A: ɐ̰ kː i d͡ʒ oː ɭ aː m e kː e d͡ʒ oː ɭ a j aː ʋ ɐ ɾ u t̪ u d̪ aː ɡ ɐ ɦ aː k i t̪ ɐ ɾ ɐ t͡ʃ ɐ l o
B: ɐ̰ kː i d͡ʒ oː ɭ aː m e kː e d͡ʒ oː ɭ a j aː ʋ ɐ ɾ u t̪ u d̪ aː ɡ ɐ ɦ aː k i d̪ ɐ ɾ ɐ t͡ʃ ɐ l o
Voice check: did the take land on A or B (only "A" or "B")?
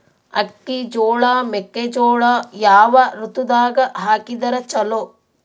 B